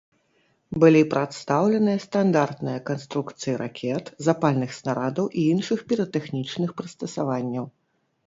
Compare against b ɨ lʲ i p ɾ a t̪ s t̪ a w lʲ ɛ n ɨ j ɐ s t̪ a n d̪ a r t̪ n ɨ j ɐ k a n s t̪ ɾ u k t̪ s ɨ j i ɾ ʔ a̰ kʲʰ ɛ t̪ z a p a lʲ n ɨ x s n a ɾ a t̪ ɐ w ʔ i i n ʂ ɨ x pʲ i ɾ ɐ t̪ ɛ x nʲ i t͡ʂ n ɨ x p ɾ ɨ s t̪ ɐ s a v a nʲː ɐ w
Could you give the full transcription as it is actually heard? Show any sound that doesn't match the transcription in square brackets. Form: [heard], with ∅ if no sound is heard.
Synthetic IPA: b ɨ lʲ i p ɾ a t̪ s t̪ a w lʲ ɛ n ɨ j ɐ s t̪ a n d̪ a r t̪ n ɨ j ɐ k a n s t̪ ɾ u k t̪ s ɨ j i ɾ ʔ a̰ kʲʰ ɛ t̪ z a p a lʲ n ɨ x s n a ɾ a [d̪] ɐ w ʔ i i n ʂ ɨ x pʲ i ɾ ɐ t̪ ɛ x nʲ i t͡ʂ n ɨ x p ɾ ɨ s t̪ ɐ s a v a nʲː ɐ w